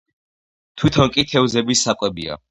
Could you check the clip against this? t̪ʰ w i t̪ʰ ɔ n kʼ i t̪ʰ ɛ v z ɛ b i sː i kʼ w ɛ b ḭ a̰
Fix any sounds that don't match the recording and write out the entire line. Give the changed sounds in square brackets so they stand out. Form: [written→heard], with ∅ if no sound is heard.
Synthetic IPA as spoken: t̪ʰ w i t̪ʰ ɔ n kʼ i t̪ʰ ɛ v z ɛ b i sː [i→a] kʼ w ɛ b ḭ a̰